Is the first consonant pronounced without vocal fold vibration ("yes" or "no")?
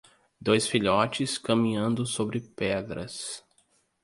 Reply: no